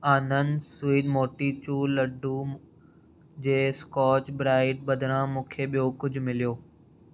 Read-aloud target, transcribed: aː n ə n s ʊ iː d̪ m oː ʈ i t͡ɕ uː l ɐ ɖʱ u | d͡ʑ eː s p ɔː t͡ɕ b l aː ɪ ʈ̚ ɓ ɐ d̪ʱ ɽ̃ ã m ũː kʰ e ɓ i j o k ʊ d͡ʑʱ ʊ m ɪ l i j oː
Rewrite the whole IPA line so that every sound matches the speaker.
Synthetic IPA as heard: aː n ə n s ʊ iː d̪ m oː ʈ i t͡ɕ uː l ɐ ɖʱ u | d͡ʑ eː s k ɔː t͡ɕ b ɾ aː ɪ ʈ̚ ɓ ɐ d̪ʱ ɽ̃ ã m ũː kʰ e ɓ i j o k ʊ d͡ʑʱ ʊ m ɪ l i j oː